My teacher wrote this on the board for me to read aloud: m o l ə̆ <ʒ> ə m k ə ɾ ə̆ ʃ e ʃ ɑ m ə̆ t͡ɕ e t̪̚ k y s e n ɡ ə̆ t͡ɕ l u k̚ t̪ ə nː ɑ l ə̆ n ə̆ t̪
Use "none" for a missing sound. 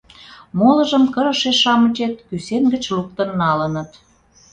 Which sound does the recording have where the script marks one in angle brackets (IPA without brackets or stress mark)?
ʒ